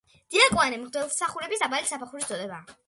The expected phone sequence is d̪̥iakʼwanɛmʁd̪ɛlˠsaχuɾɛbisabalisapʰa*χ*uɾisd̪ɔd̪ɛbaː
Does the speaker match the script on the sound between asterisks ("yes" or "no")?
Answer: yes